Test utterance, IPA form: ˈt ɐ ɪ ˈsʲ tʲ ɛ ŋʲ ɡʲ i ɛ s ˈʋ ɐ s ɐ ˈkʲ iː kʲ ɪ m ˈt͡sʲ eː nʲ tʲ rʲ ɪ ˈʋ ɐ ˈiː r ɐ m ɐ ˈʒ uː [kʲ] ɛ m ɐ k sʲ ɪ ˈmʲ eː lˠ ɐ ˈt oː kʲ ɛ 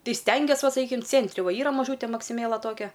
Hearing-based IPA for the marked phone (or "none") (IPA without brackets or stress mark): tʲ